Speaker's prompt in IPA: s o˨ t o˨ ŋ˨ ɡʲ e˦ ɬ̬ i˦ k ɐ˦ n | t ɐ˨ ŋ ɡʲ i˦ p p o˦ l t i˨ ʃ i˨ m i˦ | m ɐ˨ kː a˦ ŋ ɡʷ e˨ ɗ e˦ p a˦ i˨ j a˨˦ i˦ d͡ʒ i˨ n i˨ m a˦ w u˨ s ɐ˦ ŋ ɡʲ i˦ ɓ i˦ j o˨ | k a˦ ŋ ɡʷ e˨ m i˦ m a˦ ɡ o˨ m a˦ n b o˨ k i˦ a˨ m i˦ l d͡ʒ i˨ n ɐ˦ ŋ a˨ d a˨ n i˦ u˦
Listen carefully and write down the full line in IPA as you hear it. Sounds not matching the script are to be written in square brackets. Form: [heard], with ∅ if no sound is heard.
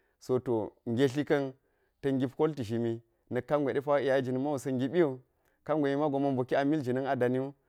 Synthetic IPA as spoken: s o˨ t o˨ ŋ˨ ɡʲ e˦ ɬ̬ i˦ k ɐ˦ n | t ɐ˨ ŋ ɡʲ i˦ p [k] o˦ l t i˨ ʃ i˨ m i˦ | [n] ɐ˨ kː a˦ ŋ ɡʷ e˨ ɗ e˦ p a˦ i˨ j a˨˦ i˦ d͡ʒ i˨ n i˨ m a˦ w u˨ s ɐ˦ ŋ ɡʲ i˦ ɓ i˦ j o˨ | k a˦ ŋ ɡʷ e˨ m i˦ m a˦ ɡ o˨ m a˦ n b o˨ k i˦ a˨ m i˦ l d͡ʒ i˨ n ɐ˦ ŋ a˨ d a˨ n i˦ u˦

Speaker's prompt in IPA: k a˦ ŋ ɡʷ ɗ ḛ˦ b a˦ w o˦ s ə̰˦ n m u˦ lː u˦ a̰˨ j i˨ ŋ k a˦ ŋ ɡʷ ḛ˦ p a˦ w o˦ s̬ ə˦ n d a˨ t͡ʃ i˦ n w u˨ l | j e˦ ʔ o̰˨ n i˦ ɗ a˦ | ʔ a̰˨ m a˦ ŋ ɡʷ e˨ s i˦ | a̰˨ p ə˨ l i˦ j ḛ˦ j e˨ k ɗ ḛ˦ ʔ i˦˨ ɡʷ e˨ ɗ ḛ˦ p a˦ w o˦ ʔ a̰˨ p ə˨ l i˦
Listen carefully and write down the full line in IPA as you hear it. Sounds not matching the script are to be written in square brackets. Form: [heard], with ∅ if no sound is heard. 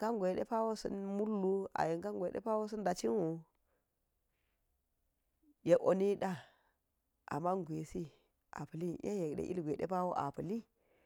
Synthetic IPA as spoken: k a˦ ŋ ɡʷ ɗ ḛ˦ [p] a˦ w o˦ s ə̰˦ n m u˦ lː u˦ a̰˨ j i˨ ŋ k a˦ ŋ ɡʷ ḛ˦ p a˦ w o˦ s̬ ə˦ n d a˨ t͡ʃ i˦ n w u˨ [∅] | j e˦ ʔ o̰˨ n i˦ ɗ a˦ | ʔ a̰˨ m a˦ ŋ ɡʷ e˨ s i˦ | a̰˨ p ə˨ l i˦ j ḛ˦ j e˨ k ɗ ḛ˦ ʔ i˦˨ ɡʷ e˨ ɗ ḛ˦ p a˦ w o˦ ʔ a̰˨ p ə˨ l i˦

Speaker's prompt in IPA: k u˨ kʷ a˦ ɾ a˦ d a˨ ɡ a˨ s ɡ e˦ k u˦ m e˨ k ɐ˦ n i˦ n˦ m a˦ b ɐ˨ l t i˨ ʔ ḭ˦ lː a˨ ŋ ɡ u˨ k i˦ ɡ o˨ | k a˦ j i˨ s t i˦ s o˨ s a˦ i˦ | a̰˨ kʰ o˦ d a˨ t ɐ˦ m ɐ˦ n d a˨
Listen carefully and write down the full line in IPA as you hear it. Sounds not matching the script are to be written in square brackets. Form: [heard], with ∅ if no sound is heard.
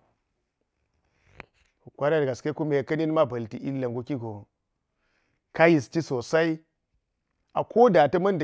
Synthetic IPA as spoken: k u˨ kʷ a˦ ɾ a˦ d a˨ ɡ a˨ s [k] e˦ k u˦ m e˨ k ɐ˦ n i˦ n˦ m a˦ b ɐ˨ l t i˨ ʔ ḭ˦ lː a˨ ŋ ɡ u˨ k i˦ ɡ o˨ | k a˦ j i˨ s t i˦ s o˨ s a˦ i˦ | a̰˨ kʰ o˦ d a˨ t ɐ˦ m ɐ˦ n d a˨

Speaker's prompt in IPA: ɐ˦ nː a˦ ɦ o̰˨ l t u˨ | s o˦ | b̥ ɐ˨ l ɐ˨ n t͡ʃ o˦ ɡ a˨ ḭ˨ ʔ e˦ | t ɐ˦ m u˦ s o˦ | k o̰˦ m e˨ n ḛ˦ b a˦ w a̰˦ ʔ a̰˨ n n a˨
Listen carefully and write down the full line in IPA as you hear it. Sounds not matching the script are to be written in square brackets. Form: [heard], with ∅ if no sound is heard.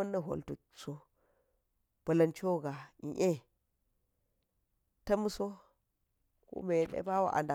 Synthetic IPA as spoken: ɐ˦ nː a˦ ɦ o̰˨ l t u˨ | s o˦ | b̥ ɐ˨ l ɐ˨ n t͡ʃ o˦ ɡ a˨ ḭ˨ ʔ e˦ | t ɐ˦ m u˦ s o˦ | k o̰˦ m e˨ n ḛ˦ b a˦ w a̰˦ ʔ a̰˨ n [d] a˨

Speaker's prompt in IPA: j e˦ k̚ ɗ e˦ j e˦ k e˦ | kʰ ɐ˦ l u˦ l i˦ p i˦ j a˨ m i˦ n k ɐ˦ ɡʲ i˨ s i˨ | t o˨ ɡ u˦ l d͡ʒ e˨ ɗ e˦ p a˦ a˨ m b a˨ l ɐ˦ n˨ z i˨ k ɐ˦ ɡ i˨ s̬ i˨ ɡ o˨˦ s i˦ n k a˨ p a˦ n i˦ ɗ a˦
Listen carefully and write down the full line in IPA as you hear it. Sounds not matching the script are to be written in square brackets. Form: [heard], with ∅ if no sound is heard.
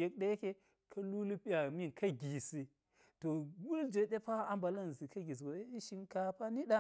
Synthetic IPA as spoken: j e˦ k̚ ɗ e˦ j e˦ k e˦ | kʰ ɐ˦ l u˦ l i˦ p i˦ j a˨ m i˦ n k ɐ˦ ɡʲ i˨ s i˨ | t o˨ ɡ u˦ l d͡ʒ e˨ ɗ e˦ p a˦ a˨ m b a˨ l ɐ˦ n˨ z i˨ k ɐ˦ ɡ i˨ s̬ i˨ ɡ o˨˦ [ʃ] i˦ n k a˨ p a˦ n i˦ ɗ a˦

